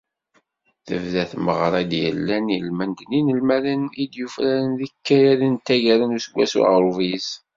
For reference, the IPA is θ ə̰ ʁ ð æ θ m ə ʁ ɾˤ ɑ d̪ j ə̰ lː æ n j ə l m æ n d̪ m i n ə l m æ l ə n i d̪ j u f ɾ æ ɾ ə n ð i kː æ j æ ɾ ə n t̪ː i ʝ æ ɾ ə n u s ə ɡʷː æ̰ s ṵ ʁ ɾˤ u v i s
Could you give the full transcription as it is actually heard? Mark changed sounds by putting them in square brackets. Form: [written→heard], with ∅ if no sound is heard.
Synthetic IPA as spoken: θ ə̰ [ʁ→v] ð æ θ m ə ʁ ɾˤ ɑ d̪ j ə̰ lː æ n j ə l m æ n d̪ [m→n] i n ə l m æ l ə n i d̪ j u f ɾ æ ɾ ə n ð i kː æ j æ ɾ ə n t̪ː [i→æ] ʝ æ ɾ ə n u s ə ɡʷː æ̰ s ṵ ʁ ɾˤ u v i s